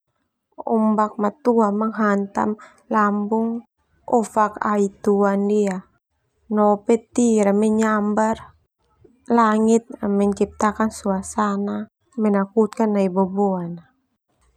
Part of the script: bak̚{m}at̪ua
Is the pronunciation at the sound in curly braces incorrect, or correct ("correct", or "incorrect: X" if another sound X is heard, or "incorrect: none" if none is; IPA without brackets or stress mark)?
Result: correct